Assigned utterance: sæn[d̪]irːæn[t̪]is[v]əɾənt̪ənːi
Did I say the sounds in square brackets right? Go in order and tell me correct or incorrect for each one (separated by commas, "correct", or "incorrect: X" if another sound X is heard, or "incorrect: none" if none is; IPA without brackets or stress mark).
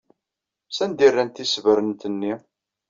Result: correct, correct, correct